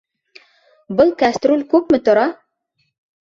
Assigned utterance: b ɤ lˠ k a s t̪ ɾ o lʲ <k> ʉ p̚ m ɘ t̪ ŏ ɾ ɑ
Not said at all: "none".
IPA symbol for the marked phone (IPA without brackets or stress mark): k